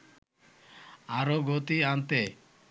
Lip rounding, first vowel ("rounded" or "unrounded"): unrounded